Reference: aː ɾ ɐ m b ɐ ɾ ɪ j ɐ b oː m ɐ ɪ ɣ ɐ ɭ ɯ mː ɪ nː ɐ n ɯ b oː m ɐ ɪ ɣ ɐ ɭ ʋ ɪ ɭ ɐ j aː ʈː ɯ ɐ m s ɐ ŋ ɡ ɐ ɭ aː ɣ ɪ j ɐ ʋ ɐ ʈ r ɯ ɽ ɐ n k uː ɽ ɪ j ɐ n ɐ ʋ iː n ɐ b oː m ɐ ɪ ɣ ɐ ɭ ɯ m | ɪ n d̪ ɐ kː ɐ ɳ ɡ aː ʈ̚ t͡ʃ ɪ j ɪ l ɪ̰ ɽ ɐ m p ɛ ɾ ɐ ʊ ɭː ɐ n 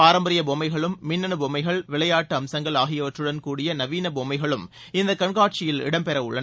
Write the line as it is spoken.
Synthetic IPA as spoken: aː ɾ ɐ m b ɐ ɾ ɪ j ɐ b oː m ɐ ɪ ɣ ɐ ɭ ɯ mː ɪ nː ɐ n ɯ b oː m ɐ ɪ ɣ ɐ ɭ ʋ ɪ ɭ ɐ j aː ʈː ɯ ɐ m s ɐ ŋ ɡ ɐ ɭ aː ɣ ɪ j ɐ ʋ ɐ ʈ r ɯ ɽ ɐ n k uː ɽ ɪ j ɐ n ɐ ʋ iː n ɐ b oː m ɐ ɪ ɣ ɐ ɭ ɯ m | ɪ n d̪ ɐ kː ɐ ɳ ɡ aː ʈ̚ t͡ʃ ɪ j ɪ l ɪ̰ ɽ ɐ m p ɛ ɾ ɐ ʊ ɭː ɐ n

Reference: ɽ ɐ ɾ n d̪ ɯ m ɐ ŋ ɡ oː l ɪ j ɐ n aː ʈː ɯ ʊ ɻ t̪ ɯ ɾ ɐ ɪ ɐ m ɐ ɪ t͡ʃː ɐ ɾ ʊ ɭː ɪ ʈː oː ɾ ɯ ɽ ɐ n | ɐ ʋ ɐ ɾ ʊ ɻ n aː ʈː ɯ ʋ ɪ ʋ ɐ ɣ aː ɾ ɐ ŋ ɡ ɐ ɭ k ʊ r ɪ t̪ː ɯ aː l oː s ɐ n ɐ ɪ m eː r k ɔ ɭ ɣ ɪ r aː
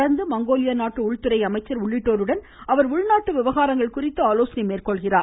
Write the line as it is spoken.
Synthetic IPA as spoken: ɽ ɐ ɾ n d̪ ɯ m ɐ ŋ ɡ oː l ɪ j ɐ n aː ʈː ɯ ʊ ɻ t̪ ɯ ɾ ɐ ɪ ɐ m ɐ ɪ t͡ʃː ɐ ɾ ʊ ɭː ɪ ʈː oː ɾ ɯ ɽ ɐ n | ɐ ʋ ɐ ɾ ʊ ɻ n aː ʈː ɯ ʋ ɪ ʋ ɐ ɣ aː ɾ ɐ ŋ ɡ ɐ ɭ k ʊ r ɪ t̪ː ɯ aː l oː s ɐ n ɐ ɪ m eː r k ɔ ɭ ɣ ɪ r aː

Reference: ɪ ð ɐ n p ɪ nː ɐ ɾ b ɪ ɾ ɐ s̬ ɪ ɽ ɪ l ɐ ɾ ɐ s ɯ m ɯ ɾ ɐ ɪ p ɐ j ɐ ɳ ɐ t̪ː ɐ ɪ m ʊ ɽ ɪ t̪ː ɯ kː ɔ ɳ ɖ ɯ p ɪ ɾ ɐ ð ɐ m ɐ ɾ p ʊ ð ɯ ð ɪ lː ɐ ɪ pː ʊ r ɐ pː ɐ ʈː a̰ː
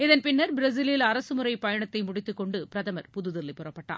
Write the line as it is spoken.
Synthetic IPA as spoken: ɪ ð ɐ n p ɪ nː ɐ ɾ b ɪ ɾ ɐ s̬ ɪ l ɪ l ɐ ɾ ɐ s ɯ m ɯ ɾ ɐ ɪ p ɐ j ɐ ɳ ɐ t̪ː ɐ ɪ m ʊ ɽ ɪ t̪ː ɯ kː ɔ ɳ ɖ ɯ p ɪ ɾ ɐ ð ɐ m ɐ ɾ p ʊ ð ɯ ð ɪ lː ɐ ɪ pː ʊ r ɐ pː ɐ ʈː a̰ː

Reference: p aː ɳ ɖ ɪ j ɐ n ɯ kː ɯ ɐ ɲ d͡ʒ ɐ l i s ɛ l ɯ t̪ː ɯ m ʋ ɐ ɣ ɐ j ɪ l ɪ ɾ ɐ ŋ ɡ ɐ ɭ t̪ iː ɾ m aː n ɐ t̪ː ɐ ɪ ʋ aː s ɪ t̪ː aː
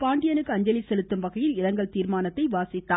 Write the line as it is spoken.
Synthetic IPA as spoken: p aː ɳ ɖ ɪ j ɐ n ɯ kː ɯ ɐ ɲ d͡ʒ ɐ l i s ɛ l ɯ t̪ː ɯ m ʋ ɐ ɣ ɐ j ɪ l ɪ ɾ ɐ ŋ ɡ ɐ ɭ t̪ iː ɾ m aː n ɐ t̪ː ɐ ɪ ʋ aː s ɪ t̪ː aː

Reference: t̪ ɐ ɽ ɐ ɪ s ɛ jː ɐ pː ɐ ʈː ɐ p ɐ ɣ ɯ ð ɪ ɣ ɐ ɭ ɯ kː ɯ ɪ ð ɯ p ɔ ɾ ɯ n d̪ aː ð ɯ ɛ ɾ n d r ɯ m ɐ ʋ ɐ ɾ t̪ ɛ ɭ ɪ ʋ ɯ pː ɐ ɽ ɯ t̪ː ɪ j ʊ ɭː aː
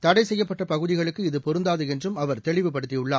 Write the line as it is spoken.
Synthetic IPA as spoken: t̪ ɐ ɽ ɐ ɪ s ɛ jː ɐ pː ɐ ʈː ɐ p ɐ ɣ ɯ ð ɪ ɣ ɐ ɭ ɯ kː ɯ ɪ ð ɯ p ɔ ɾ ɯ n d̪ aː ð ɯ ɛ n d r ɯ m ɐ ʋ ɐ ɾ t̪ ɛ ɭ ɪ ʋ ɯ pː ɐ ɽ ɯ t̪ː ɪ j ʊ ɭː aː

